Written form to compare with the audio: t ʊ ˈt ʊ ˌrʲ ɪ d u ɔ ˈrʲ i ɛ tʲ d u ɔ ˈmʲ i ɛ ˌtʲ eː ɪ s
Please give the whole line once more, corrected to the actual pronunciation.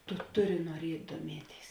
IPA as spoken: t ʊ ˈt ʊ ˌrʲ ɪ n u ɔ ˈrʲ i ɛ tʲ d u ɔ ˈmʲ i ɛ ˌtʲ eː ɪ s